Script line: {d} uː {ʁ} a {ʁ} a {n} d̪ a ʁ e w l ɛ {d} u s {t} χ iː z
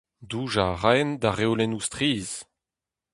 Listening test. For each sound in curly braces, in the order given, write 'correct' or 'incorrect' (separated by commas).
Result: correct, incorrect, correct, correct, incorrect, correct